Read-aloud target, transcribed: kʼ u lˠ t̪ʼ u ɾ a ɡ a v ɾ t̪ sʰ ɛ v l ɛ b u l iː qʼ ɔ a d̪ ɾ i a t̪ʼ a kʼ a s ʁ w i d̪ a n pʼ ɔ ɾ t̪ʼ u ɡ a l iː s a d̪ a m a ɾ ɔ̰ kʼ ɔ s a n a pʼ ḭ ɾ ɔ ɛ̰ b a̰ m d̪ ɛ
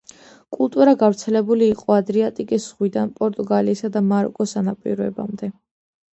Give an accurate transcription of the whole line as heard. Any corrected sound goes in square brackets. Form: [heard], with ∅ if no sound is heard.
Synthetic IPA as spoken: kʼ u lˠ t̪ʼ u ɾ a ɡ a v ɾ t̪ sʰ ɛ [∅] l ɛ b u l iː qʼ ɔ a d̪ ɾ i a t̪ʼ [i] kʼ [i] s ʁ w i d̪ a n pʼ ɔ ɾ t̪ʼ u ɡ a l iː s a d̪ a m a ɾ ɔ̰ kʼ ɔ s a n a pʼ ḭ ɾ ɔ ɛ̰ b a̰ m d̪ ɛ